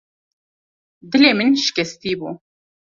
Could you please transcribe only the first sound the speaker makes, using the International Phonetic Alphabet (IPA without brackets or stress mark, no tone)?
d̪